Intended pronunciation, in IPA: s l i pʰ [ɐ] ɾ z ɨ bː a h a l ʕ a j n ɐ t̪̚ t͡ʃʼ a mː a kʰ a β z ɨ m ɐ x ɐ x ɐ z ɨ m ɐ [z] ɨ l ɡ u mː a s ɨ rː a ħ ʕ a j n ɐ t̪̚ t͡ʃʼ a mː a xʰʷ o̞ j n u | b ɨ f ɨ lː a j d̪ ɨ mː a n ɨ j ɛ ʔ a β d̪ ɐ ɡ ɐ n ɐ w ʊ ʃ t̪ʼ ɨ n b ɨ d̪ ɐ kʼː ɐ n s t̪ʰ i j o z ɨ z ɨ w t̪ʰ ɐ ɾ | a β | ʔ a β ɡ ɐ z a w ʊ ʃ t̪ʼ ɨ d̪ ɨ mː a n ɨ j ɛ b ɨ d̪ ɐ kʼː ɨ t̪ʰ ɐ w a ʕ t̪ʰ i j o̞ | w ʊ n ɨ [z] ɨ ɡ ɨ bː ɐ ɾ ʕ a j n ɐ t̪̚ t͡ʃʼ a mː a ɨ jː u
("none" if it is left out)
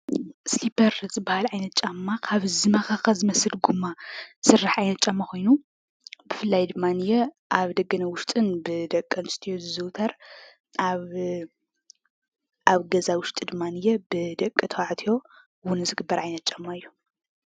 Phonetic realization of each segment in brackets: ɐ, s, z

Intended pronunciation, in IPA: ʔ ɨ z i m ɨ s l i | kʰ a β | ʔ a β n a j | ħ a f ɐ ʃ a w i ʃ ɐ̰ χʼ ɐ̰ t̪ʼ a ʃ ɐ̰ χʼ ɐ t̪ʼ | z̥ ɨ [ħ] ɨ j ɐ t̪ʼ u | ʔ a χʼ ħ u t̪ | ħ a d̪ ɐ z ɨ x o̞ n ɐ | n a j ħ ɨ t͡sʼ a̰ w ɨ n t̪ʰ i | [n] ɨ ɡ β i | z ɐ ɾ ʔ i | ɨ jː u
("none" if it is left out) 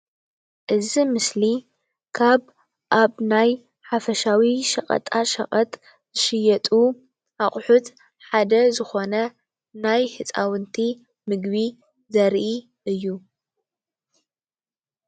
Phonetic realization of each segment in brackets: ʃ, m

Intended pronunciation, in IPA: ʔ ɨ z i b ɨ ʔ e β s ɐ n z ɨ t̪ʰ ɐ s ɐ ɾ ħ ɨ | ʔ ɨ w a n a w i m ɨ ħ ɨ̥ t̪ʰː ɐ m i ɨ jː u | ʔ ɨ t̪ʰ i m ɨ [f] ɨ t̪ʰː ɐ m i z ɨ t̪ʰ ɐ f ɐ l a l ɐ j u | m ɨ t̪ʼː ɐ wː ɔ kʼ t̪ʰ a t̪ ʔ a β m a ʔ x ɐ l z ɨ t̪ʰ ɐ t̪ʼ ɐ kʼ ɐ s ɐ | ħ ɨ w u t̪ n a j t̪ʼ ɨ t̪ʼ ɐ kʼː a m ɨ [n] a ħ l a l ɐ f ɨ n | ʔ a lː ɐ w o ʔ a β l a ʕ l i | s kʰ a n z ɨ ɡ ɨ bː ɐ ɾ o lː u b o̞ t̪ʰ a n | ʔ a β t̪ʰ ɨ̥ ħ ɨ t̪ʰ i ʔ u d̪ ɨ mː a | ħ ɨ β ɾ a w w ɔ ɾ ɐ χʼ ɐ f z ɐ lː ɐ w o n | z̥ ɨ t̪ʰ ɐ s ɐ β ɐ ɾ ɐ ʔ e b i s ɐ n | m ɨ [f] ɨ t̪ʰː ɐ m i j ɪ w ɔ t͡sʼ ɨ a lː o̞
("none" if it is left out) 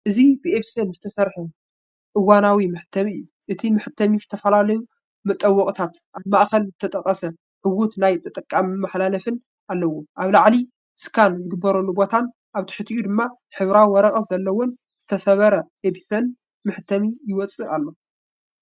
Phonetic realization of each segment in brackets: ħ, m, ħ

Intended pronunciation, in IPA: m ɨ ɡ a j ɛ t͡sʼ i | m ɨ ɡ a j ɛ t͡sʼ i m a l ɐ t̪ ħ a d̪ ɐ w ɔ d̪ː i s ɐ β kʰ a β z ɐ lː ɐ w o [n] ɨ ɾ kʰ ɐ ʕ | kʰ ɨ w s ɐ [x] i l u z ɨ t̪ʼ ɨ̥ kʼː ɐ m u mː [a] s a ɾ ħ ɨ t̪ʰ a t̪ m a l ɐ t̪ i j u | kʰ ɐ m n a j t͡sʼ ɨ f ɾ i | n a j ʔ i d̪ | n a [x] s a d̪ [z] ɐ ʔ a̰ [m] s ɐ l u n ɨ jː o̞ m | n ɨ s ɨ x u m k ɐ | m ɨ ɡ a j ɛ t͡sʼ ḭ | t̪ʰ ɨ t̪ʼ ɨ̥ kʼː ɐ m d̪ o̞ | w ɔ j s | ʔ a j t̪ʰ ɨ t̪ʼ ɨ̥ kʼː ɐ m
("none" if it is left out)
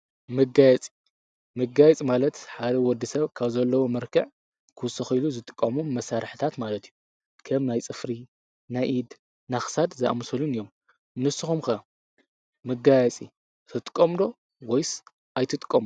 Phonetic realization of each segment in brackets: m, x, ɐ, x, z, m

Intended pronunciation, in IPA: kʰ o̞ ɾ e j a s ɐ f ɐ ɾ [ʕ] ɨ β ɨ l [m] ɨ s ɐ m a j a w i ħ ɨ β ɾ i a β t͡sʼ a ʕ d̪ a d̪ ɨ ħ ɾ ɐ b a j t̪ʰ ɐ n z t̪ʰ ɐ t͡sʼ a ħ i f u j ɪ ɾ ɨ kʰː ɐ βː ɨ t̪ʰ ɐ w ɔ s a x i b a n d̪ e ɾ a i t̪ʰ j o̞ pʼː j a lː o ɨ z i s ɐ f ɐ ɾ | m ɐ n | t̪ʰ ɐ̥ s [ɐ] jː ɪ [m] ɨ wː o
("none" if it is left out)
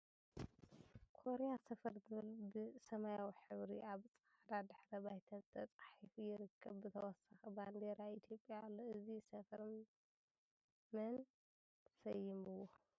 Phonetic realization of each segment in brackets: z, b, ɐ, m

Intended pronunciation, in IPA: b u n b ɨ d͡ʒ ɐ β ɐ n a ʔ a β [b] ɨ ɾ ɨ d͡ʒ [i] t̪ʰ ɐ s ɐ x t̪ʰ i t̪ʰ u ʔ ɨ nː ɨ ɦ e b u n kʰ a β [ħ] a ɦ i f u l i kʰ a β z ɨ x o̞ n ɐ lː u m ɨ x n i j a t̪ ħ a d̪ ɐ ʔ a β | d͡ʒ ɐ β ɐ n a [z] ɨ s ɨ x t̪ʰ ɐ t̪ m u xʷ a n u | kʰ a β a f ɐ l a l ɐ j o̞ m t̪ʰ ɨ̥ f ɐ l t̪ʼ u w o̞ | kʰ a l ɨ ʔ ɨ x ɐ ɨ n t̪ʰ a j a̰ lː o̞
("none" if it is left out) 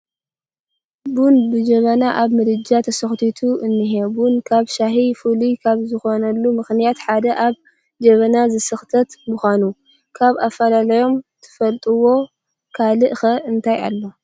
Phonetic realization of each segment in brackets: m, a, ʃ, z

